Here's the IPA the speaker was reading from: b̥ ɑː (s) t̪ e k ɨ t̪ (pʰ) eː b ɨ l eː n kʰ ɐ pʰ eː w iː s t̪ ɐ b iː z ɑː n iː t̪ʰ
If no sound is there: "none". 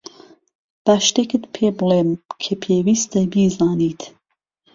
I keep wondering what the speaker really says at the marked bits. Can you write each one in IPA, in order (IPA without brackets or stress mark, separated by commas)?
ʃ, pʰ